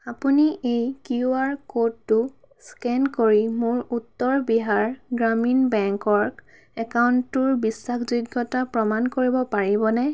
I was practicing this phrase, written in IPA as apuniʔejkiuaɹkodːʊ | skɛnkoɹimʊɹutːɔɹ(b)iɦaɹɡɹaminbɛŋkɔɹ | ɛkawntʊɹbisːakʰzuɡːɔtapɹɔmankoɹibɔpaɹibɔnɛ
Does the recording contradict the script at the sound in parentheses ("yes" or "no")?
no